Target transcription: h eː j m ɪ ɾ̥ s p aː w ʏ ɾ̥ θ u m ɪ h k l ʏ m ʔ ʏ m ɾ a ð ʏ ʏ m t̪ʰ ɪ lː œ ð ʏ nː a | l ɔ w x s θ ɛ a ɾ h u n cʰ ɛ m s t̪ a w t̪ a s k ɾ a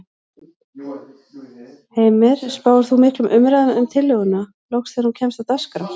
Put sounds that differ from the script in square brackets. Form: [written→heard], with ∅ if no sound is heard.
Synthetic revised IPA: h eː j m ɪ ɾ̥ s p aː w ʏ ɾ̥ θ u m ɪ h k l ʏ m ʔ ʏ m ɾ a ð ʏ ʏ m t̪ʰ ɪ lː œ [ð→ɣ] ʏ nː a | l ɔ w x s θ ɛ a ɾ h u n cʰ ɛ m s t̪ a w t̪ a s k ɾ a